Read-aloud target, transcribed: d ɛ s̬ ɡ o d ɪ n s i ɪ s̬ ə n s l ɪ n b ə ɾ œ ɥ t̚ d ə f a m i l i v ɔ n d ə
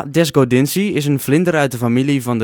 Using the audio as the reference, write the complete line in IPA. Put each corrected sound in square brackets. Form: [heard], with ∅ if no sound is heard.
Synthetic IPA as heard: d ɛ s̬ ɡ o d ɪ n s i ɪ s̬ ə n [f] l ɪ n [d] ə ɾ œ ɥ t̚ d ə f a m i l i v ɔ n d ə